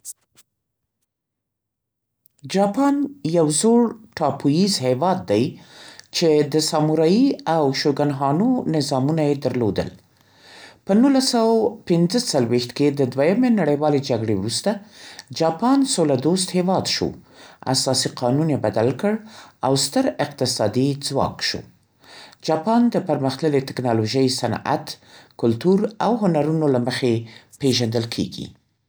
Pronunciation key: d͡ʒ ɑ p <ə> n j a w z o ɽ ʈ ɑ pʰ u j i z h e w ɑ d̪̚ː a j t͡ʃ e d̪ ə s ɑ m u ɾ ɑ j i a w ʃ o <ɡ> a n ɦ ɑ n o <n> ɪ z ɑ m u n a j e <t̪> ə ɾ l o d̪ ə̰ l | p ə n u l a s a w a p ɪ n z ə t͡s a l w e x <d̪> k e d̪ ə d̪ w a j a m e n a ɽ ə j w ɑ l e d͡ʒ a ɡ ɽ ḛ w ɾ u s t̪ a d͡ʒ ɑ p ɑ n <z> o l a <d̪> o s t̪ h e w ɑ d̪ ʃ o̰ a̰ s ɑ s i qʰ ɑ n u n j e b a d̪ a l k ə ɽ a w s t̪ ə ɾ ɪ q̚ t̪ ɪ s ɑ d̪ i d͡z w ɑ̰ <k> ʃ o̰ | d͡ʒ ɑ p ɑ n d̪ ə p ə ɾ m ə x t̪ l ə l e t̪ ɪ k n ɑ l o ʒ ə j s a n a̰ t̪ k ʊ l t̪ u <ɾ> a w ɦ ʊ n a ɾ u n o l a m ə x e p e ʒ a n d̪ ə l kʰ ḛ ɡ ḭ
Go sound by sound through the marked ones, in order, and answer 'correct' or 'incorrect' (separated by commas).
incorrect, correct, correct, incorrect, incorrect, incorrect, correct, correct, correct